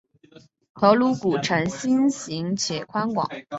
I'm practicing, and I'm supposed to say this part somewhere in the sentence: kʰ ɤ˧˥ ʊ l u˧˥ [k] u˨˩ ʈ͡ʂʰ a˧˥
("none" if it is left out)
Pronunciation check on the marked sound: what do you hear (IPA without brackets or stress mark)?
k